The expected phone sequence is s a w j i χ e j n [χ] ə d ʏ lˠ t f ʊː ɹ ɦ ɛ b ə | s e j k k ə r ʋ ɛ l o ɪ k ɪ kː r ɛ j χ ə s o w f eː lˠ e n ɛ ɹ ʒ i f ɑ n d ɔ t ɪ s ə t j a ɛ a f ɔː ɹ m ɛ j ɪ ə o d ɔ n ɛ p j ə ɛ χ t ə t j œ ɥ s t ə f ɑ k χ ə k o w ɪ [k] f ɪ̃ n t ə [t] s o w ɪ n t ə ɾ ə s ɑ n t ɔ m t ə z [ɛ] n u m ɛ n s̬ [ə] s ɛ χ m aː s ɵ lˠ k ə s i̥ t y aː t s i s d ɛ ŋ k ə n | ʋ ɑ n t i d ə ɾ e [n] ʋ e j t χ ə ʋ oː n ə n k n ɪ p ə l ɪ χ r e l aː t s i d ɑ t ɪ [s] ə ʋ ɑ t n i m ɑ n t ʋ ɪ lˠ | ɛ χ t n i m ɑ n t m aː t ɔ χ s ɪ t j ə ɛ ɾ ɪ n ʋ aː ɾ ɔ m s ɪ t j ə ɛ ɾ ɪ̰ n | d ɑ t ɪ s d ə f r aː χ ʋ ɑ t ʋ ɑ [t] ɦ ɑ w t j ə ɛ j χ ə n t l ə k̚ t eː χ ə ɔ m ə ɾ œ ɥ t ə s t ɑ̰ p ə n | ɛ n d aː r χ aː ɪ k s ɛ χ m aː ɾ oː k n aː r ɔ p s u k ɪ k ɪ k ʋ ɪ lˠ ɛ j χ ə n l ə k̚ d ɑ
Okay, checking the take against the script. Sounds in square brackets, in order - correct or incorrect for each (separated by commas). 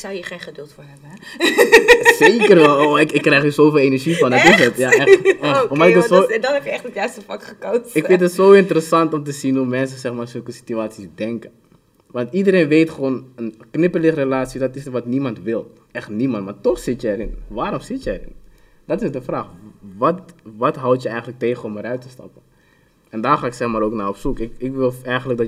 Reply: correct, correct, correct, incorrect, correct, correct, correct, correct